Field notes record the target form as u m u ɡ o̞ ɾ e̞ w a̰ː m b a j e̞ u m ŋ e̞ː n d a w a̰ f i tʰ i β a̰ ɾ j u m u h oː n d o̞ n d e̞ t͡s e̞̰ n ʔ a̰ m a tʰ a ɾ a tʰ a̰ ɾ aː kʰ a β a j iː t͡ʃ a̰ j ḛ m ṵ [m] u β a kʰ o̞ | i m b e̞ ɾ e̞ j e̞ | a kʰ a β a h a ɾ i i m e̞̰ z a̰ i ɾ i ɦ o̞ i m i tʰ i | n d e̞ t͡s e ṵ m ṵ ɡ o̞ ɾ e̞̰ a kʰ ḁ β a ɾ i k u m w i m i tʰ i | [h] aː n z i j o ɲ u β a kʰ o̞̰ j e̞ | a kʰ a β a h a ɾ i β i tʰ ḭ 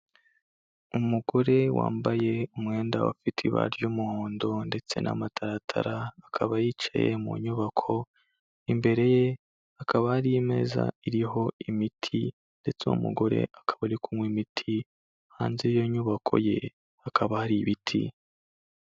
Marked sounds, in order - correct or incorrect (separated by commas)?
incorrect, correct